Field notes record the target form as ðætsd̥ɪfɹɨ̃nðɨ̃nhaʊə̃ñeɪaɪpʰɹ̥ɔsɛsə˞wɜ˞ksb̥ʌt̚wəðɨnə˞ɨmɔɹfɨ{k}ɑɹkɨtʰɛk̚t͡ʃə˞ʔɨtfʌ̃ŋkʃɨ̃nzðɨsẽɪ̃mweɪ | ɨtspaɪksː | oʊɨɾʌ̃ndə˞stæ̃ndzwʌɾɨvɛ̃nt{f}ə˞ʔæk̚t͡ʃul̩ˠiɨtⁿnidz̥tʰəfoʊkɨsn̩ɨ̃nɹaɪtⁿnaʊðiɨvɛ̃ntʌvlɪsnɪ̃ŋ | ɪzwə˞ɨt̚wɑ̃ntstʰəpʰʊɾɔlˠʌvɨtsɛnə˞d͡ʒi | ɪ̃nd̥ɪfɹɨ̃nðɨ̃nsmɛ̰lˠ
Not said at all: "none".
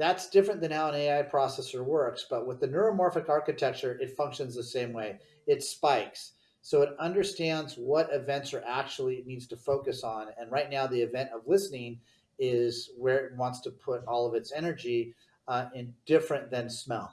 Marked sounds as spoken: k, s

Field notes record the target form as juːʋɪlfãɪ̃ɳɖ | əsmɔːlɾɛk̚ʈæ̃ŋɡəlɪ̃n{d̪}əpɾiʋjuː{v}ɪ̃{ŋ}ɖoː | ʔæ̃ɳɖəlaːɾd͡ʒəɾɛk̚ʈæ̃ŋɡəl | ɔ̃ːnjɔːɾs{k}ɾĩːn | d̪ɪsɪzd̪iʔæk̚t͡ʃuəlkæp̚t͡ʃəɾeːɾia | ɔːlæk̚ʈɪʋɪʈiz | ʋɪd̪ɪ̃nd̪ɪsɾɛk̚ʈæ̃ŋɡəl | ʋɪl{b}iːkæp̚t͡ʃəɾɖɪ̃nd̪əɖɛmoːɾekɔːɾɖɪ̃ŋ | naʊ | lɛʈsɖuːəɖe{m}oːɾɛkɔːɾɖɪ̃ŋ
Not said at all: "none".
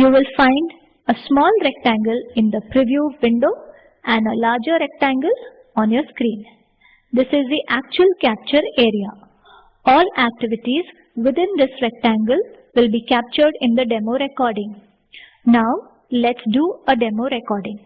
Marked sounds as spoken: d̪, ʋ, ɳ, k, b, m

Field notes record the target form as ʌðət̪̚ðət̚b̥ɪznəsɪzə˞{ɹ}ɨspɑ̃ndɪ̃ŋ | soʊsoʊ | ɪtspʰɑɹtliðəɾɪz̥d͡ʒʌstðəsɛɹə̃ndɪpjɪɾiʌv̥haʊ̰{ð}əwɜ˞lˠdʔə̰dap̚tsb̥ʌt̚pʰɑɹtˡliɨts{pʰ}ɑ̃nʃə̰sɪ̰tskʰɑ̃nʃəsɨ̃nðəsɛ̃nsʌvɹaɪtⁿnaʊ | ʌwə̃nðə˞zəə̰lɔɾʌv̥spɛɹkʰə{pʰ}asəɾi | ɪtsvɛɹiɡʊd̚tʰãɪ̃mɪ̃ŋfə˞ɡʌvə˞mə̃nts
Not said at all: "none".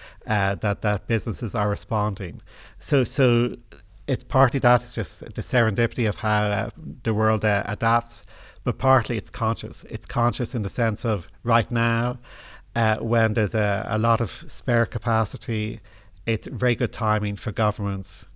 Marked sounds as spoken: ɹ, ð, kʰ, pʰ

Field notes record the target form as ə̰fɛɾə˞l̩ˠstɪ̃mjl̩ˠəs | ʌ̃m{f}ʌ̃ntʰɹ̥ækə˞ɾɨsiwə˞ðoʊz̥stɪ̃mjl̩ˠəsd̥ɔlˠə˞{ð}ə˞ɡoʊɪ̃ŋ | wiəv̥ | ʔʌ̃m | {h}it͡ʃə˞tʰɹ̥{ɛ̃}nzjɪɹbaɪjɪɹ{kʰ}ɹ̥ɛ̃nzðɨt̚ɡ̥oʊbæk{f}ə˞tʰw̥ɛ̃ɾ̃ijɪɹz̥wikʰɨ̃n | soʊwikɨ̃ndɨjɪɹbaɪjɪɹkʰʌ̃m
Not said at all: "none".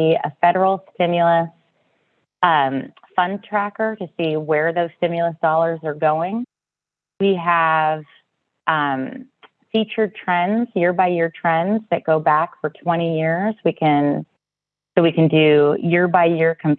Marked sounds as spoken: f, z, f, ɛ̃, tʰ, f

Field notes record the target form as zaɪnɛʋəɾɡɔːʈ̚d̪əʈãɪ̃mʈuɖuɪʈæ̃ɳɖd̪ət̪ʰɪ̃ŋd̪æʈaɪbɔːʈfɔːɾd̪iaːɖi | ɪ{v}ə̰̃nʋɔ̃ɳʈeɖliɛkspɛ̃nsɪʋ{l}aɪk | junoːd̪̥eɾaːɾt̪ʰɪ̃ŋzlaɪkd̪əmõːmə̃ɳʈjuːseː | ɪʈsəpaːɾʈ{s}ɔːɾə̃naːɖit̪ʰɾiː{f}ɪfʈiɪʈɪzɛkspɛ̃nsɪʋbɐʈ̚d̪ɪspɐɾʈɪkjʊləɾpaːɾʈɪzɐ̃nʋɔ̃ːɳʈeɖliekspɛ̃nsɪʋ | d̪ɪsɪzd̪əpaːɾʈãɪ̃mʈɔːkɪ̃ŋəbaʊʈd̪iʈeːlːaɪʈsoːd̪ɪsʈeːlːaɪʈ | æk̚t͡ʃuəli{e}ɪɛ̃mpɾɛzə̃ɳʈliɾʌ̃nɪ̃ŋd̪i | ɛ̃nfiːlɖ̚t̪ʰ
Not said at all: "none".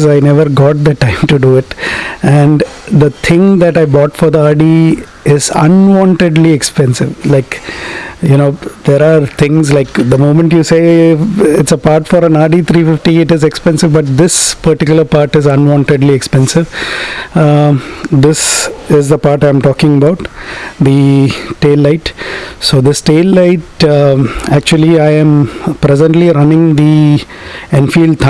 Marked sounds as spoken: z, l, f, f, a

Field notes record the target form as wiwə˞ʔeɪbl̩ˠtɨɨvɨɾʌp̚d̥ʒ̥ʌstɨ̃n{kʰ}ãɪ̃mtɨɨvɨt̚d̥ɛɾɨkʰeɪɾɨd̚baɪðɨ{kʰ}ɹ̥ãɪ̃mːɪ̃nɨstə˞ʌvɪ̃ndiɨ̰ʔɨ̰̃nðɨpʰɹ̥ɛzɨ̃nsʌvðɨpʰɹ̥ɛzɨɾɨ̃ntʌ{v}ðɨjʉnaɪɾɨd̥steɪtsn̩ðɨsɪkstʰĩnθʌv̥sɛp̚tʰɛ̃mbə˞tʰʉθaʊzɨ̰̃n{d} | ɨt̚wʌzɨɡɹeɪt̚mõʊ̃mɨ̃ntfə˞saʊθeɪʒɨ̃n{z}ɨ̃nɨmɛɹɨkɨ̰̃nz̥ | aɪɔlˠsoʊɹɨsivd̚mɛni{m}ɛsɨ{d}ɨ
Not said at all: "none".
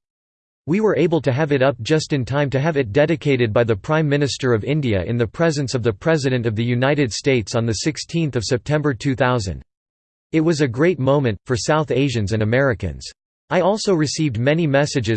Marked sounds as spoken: tʰ, pʰ, v, d, z, m, d͡ʒ

